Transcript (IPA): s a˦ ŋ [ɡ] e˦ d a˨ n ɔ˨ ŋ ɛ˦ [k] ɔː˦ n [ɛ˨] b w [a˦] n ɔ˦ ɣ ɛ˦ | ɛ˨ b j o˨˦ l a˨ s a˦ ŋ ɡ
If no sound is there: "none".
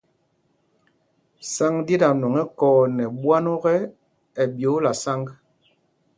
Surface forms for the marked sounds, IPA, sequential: d, k, ɛ˨, a˦

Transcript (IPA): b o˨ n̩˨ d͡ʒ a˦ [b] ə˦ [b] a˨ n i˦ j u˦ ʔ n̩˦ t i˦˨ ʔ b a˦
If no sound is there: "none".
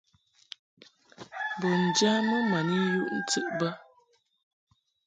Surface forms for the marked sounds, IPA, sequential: m, m

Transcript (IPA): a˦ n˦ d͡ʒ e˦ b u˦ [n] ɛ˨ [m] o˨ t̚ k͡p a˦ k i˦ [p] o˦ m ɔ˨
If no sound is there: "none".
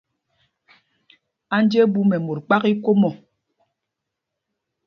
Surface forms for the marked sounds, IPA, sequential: m, m, k

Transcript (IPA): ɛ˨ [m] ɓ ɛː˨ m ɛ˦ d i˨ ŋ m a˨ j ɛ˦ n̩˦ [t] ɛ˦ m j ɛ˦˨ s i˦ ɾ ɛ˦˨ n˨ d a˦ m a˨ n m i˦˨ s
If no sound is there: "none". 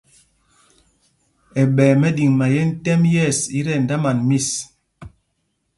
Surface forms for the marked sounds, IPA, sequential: none, t

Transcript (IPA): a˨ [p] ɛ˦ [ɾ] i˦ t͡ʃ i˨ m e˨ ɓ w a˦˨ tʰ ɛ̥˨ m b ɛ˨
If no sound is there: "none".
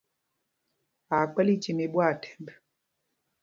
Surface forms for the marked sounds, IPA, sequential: k͡p, l

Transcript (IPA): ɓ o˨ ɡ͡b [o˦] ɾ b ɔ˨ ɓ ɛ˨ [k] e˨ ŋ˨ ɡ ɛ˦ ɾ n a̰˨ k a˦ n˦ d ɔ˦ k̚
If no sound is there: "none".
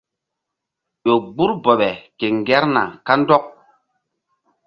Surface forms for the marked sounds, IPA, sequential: u˦, k

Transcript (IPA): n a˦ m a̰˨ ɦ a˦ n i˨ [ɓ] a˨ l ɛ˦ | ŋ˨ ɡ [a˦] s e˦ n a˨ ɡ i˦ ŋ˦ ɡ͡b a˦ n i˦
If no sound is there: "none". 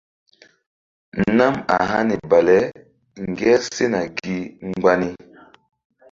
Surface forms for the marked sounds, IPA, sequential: b, ɛ˦

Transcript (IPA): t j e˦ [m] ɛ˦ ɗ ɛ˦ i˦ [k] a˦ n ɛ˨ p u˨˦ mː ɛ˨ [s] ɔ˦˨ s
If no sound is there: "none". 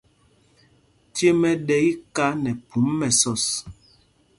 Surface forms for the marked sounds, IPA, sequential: m, k, s

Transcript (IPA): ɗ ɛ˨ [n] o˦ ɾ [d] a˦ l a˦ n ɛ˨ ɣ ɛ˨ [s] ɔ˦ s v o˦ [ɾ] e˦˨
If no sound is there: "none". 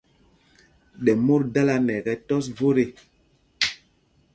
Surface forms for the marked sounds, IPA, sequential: m, d, t, ɾ

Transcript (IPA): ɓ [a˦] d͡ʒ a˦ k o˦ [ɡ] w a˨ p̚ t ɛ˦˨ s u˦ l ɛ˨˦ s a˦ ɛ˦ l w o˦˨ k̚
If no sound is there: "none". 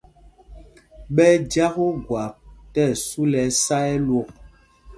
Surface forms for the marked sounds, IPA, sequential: ɛ˦, ɡ

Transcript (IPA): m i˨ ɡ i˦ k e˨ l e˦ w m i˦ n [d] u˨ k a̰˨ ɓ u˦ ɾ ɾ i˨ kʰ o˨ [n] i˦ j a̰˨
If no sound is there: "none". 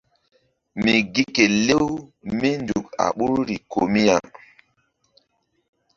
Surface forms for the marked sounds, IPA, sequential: d, m

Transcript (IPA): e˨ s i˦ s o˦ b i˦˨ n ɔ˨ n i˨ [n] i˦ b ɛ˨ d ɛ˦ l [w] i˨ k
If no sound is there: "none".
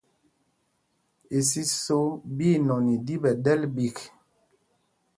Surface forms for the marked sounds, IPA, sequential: d, b

